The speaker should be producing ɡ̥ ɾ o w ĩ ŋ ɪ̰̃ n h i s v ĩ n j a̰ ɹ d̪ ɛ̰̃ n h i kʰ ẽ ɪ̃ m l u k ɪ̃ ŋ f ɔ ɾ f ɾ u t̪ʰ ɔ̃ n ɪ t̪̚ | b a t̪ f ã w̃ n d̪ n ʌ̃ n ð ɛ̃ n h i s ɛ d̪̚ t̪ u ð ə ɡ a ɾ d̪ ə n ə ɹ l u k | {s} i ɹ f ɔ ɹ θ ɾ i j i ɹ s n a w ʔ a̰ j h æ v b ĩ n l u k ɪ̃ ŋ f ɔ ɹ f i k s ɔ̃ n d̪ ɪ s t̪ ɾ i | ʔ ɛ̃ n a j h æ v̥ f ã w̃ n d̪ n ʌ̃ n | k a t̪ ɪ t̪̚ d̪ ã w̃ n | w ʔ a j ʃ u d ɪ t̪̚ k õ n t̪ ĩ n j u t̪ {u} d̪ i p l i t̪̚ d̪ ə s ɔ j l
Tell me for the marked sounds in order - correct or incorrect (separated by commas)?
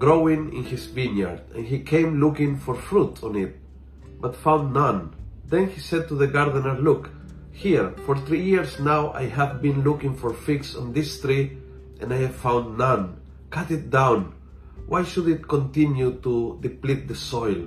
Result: incorrect, correct